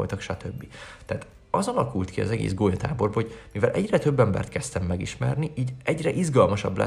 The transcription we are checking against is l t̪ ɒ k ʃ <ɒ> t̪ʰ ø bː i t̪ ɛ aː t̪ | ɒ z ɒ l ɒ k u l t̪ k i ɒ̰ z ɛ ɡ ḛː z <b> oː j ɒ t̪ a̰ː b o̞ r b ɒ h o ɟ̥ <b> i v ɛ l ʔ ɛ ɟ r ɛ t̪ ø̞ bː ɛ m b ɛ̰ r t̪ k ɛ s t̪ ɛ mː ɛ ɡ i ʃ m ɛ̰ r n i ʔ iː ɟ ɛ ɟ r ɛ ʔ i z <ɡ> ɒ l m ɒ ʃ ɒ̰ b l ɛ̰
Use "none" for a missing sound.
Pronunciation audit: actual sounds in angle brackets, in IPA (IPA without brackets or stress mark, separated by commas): ɒ, ɡ, m, ɡ